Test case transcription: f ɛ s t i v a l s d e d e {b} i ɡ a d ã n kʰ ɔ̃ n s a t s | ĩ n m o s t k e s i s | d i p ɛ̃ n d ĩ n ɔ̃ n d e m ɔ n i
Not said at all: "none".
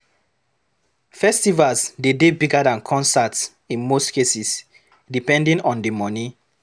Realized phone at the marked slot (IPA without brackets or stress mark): b